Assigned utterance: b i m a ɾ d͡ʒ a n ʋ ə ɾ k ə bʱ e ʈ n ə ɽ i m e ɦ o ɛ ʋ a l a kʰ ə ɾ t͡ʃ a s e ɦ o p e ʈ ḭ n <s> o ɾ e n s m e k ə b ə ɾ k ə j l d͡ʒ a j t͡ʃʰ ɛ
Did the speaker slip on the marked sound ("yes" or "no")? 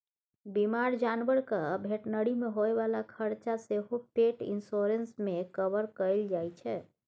no